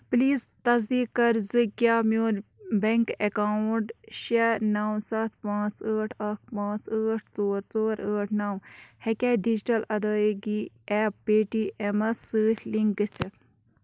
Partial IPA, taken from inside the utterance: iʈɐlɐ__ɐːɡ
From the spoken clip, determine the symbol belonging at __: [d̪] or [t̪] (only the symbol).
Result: d̪